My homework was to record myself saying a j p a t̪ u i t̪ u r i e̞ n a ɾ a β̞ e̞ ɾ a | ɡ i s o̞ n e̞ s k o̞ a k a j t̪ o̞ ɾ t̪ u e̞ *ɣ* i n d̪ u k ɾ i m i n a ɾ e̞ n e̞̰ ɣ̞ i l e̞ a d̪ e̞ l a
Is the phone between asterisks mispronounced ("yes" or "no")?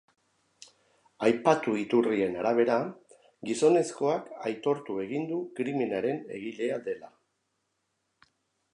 no